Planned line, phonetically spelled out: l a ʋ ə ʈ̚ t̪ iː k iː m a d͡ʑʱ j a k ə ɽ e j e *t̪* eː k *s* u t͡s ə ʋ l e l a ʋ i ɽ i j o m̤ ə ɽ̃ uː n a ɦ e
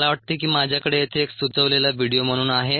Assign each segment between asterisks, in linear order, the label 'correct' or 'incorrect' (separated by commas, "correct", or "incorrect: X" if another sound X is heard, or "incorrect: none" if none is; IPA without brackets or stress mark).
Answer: incorrect: t̪ʰ, correct